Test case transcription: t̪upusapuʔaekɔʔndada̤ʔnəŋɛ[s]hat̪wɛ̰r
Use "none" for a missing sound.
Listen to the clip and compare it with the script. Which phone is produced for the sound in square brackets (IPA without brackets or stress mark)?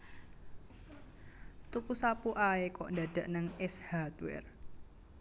s